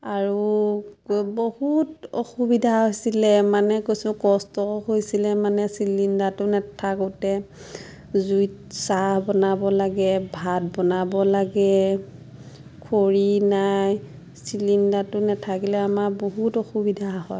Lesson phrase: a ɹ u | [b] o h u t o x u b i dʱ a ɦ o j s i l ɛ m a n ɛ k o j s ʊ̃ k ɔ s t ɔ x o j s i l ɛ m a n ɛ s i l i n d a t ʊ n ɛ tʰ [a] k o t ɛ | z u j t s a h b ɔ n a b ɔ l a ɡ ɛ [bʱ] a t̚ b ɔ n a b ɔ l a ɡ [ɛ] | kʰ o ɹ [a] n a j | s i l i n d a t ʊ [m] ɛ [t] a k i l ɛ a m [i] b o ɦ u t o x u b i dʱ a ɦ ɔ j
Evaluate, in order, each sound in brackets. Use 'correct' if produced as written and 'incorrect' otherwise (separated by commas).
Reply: correct, correct, correct, correct, incorrect, incorrect, incorrect, incorrect